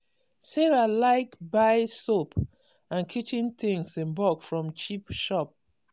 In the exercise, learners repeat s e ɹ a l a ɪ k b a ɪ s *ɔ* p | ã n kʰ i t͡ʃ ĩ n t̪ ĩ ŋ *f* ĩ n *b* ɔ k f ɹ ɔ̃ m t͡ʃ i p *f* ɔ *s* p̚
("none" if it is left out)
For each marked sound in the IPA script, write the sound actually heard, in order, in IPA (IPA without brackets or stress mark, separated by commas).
o, s, b, ʃ, none